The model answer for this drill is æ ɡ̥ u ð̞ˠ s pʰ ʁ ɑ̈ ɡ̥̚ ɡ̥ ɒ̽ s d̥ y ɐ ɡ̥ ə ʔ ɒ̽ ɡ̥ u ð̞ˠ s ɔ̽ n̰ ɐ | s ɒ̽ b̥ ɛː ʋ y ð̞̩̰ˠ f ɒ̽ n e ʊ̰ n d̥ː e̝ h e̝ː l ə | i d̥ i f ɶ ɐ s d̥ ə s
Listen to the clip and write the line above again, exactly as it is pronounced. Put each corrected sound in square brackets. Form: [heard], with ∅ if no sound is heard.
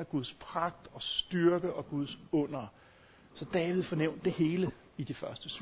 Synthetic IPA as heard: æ ɡ̥ u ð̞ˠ s pʰ ʁ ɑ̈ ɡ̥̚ [d̥] ɒ̽ s d̥ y ɐ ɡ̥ ə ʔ ɒ̽ ɡ̥ u ð̞ˠ s ɔ̽ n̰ ɐ | s ɒ̽ [d̥] ɛː ʋ [i] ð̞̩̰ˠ f ɒ̽ n e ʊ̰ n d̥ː e̝ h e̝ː l ə | i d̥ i f ɶ ɐ s d̥ ə s